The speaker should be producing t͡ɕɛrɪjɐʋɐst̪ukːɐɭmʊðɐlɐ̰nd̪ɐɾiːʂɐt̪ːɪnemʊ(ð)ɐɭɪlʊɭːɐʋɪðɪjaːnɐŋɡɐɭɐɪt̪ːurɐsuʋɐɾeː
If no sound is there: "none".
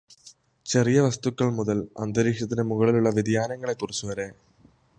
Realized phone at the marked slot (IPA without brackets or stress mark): ɣ